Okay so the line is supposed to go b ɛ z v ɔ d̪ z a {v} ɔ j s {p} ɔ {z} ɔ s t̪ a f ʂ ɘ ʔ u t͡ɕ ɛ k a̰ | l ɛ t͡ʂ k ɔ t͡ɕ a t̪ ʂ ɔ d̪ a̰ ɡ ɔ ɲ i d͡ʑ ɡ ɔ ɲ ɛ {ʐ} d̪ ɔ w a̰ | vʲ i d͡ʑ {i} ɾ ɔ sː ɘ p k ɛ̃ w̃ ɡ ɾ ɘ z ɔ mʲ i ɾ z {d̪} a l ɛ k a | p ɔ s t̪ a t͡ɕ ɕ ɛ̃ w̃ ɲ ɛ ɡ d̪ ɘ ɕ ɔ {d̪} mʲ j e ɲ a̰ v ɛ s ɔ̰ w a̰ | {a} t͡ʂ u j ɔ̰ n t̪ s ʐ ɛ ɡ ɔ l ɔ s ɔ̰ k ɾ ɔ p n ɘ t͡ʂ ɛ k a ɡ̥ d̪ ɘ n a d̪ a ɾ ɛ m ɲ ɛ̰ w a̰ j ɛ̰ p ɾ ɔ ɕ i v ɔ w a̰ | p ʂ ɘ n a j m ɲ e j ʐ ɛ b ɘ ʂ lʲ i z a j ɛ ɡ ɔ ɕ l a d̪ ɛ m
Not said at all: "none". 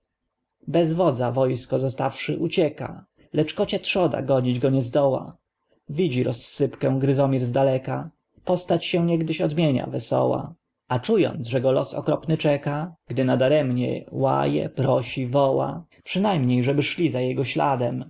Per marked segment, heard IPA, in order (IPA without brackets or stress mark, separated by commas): v, k, z, z, i, d̪, d̪, a